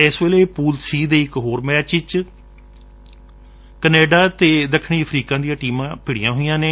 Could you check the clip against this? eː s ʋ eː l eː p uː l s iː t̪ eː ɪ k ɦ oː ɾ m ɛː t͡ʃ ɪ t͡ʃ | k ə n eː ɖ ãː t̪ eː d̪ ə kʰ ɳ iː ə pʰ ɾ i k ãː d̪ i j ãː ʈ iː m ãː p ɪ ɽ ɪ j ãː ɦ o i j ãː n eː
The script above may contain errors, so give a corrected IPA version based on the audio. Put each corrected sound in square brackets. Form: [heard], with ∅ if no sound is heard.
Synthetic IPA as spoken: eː s ʋ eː l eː p uː l s iː [d̪] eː ɪ k ɦ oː ɾ m ɛː t͡ʃ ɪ t͡ʃ | k ə n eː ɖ [aː] t̪ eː d̪ ə kʰ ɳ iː ə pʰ ɾ [iː] k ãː d̪ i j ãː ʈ iː m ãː p ɪ ɽ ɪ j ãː ɦ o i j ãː n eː